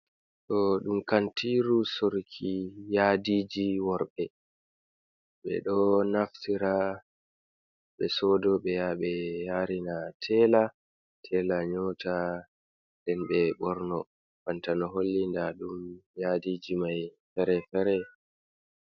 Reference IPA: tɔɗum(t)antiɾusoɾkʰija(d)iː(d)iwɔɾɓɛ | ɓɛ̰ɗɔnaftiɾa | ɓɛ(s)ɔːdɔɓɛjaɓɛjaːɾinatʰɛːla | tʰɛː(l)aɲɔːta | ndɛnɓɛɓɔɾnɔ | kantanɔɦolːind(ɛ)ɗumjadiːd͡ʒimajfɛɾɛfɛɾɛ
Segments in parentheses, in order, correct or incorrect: incorrect: k, correct, incorrect: d͡ʒ, correct, correct, incorrect: a

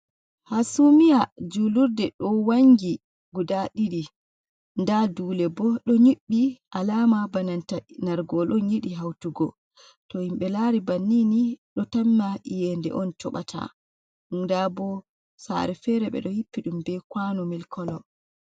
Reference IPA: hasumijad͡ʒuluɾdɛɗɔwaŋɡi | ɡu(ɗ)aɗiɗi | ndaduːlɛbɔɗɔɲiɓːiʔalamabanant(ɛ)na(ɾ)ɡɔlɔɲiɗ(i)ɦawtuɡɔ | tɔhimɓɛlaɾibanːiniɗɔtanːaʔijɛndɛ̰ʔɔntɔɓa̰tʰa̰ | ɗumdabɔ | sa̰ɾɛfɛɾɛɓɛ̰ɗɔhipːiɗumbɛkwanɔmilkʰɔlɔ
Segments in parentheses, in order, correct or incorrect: incorrect: d, incorrect: a, correct, correct

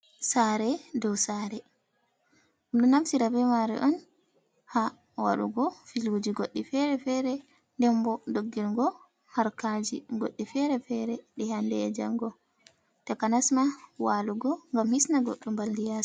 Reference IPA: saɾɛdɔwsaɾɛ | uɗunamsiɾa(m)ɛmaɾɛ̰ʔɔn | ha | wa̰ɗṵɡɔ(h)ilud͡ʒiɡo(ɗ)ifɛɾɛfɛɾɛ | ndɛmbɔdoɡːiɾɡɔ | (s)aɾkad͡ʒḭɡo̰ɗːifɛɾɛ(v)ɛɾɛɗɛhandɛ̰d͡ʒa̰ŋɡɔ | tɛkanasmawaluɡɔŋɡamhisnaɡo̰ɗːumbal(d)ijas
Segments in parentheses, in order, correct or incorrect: incorrect: b, incorrect: f, incorrect: ɗː, incorrect: h, incorrect: f, correct

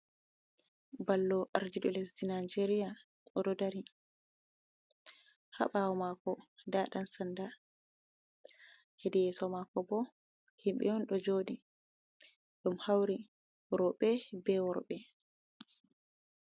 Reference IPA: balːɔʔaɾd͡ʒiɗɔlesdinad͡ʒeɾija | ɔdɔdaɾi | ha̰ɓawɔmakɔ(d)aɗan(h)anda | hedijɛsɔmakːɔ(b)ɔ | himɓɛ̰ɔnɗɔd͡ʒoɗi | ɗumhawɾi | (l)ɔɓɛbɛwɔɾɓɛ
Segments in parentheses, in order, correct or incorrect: correct, incorrect: s, correct, incorrect: ɾ

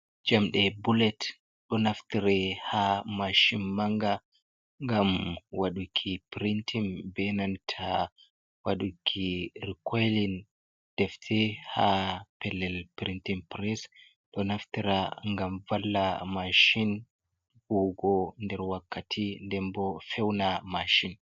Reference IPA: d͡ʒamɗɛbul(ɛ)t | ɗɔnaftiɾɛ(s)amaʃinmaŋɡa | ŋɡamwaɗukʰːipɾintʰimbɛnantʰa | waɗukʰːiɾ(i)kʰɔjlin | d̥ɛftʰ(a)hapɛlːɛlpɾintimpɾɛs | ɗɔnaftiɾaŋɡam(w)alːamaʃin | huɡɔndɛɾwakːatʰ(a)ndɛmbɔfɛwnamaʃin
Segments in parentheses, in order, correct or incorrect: correct, incorrect: h, correct, incorrect: ɛ, incorrect: v, incorrect: i

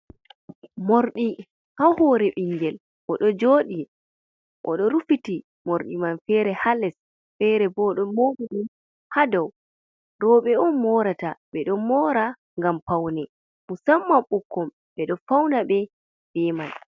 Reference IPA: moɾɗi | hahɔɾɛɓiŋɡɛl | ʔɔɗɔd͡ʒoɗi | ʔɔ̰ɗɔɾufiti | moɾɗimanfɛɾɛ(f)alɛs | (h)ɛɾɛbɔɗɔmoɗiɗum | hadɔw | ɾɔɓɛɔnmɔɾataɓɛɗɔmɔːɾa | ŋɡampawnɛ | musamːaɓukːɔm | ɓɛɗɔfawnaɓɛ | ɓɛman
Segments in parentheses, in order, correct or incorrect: incorrect: h, incorrect: f

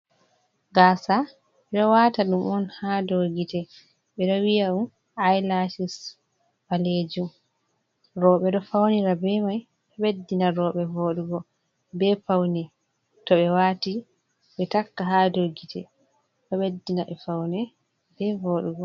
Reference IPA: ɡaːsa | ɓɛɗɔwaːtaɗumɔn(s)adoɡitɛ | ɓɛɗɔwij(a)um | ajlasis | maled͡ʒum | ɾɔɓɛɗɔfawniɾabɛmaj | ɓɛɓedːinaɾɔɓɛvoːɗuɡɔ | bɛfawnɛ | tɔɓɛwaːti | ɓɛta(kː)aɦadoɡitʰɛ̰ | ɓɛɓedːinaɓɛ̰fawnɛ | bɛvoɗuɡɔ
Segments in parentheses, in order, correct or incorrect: incorrect: h, correct, correct

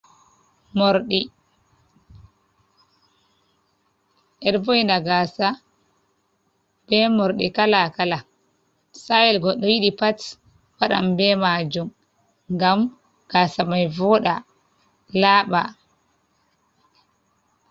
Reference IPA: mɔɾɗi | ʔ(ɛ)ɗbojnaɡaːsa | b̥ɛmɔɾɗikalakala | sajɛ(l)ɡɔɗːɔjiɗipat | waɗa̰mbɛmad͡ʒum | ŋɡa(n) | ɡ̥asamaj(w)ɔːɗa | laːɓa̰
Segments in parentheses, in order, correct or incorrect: correct, correct, incorrect: m, incorrect: v

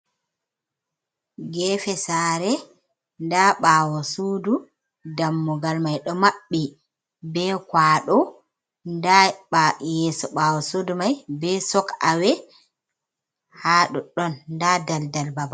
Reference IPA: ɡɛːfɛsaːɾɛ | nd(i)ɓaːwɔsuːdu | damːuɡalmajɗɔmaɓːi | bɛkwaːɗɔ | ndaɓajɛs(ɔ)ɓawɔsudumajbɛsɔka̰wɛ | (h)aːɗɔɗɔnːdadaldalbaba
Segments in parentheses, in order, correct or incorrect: incorrect: a, correct, correct

